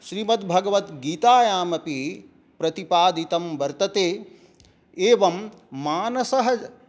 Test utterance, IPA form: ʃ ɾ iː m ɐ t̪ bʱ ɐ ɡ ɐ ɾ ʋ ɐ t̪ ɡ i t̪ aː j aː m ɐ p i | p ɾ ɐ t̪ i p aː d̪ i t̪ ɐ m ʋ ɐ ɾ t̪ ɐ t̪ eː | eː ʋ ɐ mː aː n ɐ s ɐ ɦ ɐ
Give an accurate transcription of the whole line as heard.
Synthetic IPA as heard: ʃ ɾ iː m ɐ t̪ bʱ ɐ ɡ ɐ ʋ ɐ t̪ ɡ iː t̪ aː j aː m ɐ p i | p ɾ ɐ t̪ i p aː d̪ i t̪ ɐ m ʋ ɐ ɾ t̪ ɐ t̪ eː | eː ʋ ɐ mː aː n ɐ s ɐ ɦ ɐ